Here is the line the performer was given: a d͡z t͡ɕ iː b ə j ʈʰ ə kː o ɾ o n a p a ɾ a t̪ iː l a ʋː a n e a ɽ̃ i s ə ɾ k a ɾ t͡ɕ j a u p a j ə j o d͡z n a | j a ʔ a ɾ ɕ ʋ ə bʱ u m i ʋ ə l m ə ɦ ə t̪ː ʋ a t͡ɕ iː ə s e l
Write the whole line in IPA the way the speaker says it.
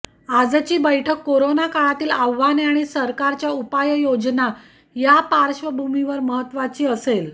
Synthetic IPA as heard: a d͡z t͡ɕ iː b ə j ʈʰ ə kː o ɾ o n a k a ɭ a t̪ iː l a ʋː a n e a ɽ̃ i s ə ɾ k a ɾ t͡ɕ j a u p a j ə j o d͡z n a | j a p a ɾ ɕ ʋ ə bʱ u m i ʋ ə ɾ m ə ɦ ə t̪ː ʋ a t͡ɕ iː ə s e l